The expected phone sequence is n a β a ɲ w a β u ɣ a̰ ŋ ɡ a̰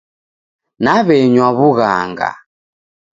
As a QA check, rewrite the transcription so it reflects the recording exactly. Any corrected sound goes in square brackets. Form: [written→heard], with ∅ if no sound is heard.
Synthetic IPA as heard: n a β [a→ɛ] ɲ w a β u ɣ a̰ ŋ ɡ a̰